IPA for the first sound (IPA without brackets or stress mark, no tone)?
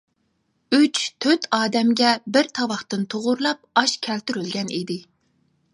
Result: y